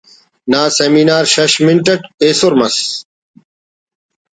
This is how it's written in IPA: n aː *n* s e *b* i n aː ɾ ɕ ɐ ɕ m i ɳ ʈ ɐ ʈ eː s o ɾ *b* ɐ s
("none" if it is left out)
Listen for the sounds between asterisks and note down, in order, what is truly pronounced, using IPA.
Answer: none, m, m

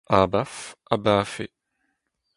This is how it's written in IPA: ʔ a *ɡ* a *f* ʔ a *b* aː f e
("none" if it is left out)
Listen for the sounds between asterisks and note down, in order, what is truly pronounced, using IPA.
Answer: b, f, b

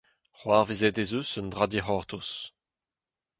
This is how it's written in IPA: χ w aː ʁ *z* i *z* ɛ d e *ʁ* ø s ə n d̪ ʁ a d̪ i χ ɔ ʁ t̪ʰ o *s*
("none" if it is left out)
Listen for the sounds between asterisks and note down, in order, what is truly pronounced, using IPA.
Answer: v, z, z, s

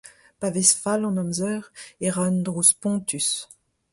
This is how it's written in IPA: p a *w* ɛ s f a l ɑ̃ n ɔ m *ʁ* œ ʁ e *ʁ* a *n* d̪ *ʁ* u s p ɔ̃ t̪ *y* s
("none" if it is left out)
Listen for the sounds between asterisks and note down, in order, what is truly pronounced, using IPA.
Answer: v, z, ʁ, n, ʁ, y

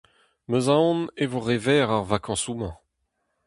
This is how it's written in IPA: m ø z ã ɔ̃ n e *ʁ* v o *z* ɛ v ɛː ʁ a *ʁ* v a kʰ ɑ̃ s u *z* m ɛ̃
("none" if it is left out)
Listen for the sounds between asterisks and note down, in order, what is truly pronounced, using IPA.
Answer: none, ʁ, ʁ, none

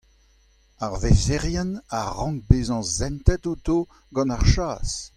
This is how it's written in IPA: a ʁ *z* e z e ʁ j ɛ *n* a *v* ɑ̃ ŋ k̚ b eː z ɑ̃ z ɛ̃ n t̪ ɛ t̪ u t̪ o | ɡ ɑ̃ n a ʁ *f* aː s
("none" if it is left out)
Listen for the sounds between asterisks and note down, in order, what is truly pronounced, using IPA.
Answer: v, n, ʁ, ʃ

